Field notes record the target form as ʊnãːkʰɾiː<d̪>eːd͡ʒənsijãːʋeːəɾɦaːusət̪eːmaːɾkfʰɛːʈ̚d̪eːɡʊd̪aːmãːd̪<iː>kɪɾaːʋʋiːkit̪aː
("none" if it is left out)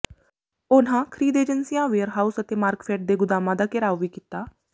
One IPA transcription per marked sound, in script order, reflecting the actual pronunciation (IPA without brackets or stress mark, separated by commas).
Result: d̪, aː